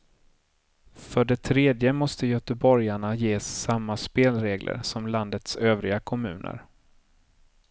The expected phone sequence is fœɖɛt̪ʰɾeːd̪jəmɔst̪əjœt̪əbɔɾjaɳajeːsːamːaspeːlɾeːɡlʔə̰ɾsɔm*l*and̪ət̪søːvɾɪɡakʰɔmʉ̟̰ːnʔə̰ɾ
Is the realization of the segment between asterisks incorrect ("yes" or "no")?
no